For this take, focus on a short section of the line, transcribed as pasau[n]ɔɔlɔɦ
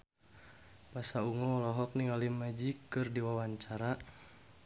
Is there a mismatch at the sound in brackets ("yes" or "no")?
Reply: yes